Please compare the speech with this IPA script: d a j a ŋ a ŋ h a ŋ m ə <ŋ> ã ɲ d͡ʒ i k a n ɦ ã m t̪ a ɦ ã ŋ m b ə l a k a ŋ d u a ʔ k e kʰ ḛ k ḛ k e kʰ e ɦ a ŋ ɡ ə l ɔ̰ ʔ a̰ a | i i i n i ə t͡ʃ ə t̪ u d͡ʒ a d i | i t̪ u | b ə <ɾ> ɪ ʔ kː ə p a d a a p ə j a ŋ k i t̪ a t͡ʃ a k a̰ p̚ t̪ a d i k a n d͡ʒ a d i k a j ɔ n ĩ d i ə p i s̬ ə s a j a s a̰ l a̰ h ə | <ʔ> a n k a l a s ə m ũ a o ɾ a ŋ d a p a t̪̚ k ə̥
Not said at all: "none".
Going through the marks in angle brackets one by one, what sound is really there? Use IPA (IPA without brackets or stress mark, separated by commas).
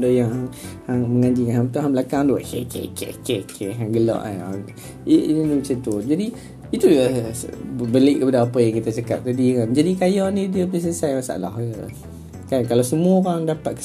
ŋ, l, k